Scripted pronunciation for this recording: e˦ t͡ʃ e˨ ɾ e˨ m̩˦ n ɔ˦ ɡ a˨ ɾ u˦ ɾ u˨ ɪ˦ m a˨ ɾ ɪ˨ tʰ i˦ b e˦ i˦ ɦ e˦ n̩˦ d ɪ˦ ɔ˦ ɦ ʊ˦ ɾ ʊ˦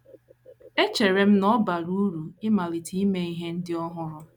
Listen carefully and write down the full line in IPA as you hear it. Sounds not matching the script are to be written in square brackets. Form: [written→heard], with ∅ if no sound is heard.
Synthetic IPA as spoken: e˦ t͡ʃ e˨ ɾ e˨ m̩˦ n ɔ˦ [ɡ→b] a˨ ɾ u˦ ɾ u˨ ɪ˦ m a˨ [ɾ→l] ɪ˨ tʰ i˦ [b→m] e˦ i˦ ɦ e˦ n̩˦ d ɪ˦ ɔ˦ ɦ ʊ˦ ɾ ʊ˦